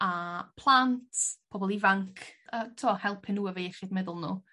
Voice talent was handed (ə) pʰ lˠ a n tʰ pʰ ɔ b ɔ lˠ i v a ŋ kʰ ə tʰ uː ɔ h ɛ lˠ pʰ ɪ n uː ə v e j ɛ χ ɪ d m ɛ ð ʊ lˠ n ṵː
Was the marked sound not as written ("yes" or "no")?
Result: yes